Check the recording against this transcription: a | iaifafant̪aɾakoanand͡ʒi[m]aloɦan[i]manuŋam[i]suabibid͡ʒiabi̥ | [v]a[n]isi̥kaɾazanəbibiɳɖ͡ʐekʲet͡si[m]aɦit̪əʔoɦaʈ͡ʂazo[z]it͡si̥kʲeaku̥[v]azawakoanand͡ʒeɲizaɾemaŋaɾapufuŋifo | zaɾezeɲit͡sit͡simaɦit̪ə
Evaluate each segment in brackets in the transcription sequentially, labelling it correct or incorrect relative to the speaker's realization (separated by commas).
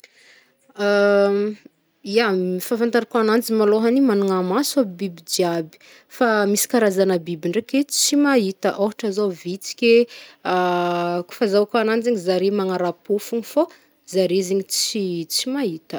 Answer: correct, correct, incorrect, incorrect, incorrect, correct, incorrect, incorrect